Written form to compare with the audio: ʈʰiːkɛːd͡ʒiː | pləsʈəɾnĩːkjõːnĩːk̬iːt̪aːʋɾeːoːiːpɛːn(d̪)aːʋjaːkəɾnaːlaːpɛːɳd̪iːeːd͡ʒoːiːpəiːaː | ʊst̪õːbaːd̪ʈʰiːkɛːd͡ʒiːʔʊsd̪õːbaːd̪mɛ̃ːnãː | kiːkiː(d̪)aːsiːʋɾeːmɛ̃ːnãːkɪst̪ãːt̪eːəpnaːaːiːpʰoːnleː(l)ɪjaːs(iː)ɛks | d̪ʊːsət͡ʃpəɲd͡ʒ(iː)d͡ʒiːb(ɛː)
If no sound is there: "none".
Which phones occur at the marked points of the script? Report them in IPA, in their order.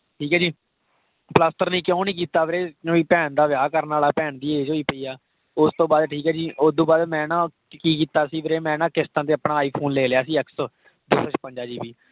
d̪, t̪, l, iː, aː, iː

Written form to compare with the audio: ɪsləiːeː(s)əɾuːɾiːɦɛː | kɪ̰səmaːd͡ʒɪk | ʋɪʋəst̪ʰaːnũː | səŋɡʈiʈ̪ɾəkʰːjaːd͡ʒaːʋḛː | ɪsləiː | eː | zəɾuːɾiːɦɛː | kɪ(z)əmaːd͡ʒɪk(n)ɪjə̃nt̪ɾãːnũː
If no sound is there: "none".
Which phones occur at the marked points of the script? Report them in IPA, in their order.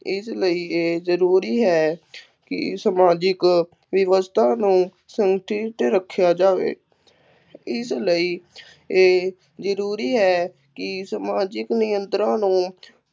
z, s, n

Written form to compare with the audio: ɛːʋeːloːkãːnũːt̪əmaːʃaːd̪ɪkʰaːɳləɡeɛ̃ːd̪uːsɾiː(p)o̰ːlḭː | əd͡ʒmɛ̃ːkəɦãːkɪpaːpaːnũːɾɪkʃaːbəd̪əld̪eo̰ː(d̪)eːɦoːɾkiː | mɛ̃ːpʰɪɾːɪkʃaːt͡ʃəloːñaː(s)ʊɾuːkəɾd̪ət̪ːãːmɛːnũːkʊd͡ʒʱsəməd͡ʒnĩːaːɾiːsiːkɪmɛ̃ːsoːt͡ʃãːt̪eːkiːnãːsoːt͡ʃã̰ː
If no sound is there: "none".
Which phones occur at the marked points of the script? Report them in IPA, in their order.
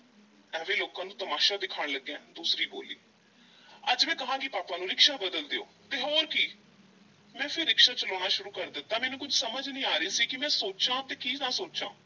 b, t̪, ʃ

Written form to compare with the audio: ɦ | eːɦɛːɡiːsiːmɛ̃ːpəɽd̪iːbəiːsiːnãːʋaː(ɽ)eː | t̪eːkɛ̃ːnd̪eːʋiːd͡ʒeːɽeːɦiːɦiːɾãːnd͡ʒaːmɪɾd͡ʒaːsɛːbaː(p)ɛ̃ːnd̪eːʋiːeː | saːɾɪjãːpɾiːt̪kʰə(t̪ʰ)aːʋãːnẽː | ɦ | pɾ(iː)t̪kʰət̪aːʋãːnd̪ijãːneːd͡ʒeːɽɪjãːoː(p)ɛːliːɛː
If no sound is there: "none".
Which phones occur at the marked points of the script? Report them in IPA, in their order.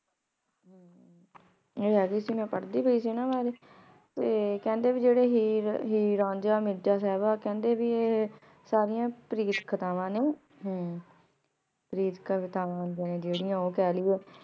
ɾ, k, t̪, iː, k

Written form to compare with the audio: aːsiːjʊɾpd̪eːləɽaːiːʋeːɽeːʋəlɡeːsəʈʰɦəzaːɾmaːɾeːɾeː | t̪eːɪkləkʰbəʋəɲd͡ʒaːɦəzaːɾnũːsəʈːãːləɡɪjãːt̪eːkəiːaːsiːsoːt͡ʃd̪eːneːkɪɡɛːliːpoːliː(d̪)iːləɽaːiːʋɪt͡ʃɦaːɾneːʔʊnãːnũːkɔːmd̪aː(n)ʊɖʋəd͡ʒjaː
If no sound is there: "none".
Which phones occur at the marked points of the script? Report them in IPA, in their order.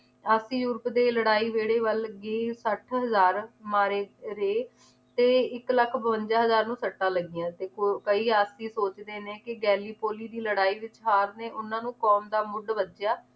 d̪, m

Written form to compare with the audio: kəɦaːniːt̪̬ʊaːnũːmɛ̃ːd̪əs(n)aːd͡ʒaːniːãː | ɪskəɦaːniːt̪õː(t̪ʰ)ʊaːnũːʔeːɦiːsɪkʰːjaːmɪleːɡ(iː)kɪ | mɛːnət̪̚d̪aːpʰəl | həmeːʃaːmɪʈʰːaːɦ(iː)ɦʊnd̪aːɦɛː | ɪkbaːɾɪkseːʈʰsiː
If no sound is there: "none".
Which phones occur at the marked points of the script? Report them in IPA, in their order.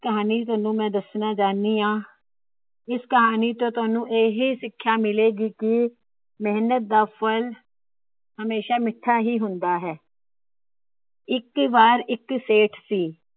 n, t̪, iː, iː

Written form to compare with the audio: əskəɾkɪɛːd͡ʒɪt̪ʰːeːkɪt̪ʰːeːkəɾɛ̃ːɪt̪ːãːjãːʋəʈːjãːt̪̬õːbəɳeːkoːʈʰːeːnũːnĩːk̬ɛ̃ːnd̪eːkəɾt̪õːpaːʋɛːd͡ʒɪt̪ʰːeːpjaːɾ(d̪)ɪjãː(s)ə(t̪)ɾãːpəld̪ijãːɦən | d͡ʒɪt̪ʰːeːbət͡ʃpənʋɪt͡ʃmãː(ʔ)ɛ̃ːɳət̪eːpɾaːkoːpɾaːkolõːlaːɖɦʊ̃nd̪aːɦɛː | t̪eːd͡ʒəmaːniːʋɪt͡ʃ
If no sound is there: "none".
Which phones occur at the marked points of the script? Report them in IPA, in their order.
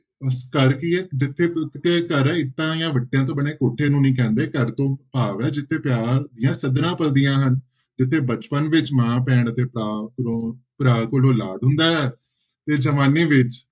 d̪, s, d̪, p

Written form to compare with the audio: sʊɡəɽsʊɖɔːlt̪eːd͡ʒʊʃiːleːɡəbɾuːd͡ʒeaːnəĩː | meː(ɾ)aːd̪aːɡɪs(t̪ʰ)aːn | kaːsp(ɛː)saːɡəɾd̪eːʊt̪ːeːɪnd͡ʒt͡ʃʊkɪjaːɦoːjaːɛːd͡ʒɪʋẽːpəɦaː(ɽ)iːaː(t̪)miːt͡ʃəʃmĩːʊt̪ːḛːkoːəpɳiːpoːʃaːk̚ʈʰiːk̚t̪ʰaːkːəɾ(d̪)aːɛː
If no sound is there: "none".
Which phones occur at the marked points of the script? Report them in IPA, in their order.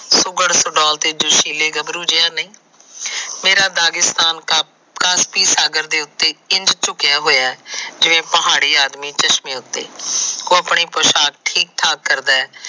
ɾ, t̪, iː, ɽ, d̪, d̪

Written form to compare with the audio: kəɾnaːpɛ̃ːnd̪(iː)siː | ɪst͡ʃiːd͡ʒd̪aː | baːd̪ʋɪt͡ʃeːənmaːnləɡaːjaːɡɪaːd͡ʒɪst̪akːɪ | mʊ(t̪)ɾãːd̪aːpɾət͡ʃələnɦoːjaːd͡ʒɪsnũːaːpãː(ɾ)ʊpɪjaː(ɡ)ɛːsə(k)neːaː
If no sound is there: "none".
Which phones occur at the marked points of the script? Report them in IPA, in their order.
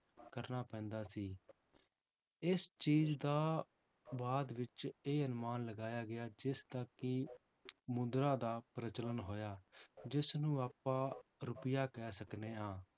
aː, d̪, ɾ, k, k

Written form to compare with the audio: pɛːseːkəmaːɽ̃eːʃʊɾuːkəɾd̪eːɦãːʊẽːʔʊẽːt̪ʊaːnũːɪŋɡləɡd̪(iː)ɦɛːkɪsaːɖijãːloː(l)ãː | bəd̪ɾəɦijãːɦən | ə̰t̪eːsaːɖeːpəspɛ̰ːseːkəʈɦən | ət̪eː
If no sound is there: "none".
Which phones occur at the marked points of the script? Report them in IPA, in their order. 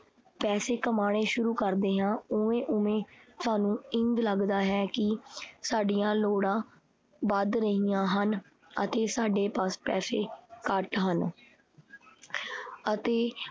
aː, ɽ

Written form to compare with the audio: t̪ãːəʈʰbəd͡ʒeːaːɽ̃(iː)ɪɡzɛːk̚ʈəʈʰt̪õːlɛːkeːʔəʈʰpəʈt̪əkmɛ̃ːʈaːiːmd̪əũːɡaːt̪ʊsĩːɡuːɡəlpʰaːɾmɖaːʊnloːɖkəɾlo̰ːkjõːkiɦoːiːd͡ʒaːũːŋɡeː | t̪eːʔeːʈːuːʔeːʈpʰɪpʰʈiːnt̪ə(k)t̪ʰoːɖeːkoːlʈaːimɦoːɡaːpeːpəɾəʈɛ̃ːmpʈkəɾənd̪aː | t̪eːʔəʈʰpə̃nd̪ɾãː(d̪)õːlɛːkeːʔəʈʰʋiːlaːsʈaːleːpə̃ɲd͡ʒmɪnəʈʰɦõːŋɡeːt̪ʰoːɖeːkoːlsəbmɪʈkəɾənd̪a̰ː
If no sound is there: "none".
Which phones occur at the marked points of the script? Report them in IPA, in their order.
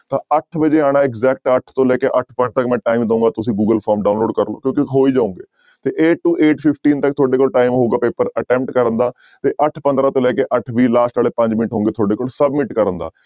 aː, k, t̪

